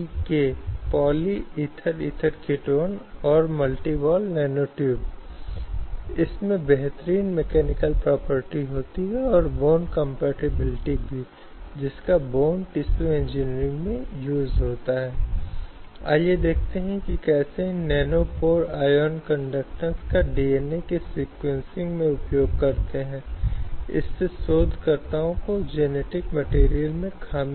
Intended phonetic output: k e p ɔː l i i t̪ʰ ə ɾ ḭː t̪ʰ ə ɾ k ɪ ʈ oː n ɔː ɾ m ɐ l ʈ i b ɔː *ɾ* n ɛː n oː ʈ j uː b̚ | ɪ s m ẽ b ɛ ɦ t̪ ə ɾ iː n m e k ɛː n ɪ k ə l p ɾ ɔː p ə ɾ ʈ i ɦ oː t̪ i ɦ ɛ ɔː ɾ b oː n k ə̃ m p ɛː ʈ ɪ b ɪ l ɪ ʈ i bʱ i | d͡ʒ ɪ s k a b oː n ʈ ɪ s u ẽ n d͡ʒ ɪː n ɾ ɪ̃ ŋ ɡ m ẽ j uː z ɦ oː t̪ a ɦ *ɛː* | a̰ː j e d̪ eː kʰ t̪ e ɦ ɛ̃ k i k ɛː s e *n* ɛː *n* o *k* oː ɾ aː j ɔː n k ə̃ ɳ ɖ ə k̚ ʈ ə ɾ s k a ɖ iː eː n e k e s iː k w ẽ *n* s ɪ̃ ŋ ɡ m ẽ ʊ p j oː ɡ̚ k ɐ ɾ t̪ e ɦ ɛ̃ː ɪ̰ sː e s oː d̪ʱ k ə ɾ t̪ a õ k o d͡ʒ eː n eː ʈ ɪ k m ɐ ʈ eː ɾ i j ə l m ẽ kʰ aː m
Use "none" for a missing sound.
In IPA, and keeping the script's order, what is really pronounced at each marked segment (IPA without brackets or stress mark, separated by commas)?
l, ɛː, n, n, p, n